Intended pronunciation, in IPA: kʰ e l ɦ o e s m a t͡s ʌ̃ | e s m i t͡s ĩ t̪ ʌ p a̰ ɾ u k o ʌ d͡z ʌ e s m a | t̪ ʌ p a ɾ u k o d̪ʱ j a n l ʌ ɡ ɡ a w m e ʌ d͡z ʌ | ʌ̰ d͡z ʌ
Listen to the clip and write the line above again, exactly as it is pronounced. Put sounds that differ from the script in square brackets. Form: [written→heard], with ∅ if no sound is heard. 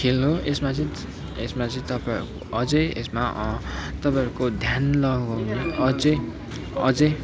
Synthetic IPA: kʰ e l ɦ o e s m a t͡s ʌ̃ | e s m [i→a] t͡s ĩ t̪ ʌ p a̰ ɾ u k o ʌ d͡z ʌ e s m a | t̪ ʌ p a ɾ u k o d̪ʱ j a n l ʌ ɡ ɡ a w [m→n] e ʌ d͡z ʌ | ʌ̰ d͡z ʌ